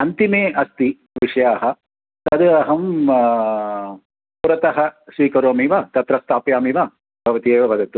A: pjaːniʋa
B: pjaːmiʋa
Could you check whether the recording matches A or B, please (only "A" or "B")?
B